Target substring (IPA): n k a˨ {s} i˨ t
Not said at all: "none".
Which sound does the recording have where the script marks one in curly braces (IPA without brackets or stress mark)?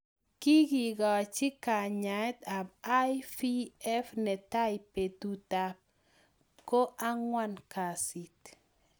s